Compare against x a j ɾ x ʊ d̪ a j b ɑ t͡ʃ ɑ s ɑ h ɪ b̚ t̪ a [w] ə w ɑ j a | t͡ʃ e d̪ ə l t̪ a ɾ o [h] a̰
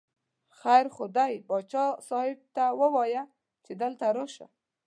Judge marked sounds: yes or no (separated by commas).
yes, no